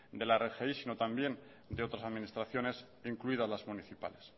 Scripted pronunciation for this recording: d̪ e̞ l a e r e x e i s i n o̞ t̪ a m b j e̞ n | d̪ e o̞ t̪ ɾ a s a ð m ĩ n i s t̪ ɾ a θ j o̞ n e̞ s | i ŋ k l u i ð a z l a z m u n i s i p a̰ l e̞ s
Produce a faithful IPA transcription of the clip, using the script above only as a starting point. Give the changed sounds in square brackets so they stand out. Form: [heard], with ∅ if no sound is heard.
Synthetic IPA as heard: d̪ e̞ l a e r e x e i s i n o̞ t̪ a m b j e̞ n | d̪ e o̞ t̪ ɾ a s a ð m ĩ n i s t̪ ɾ a θ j o̞ n e̞ s | i ŋ k l u i ð a z l a z m u n i [θ] i p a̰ l e̞ s